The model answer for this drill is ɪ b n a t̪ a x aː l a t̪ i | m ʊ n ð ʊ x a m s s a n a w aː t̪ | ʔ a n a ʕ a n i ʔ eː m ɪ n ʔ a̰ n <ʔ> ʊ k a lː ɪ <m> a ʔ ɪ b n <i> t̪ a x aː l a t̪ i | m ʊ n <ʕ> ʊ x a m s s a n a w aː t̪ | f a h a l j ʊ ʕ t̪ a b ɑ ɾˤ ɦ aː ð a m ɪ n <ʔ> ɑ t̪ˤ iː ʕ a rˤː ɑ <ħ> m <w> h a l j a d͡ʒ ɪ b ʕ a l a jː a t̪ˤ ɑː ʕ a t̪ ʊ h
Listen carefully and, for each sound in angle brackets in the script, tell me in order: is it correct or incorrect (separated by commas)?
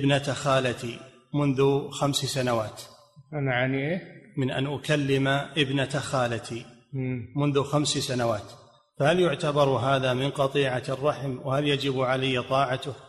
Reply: correct, correct, incorrect, incorrect, incorrect, correct, correct